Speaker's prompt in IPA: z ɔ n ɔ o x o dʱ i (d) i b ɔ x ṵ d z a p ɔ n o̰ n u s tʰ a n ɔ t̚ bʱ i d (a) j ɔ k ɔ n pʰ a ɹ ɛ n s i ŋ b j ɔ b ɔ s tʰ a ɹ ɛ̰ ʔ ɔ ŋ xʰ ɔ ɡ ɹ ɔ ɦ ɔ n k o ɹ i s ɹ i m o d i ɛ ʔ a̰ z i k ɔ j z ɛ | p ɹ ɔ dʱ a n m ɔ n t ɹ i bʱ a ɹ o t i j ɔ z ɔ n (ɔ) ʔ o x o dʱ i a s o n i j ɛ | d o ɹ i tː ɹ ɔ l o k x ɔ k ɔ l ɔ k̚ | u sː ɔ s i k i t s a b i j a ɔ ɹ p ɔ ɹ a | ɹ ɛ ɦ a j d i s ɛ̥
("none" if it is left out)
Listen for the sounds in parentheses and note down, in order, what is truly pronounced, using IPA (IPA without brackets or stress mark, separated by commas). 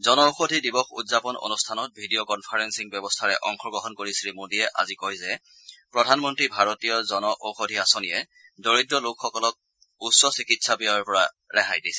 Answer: d, i, ɔ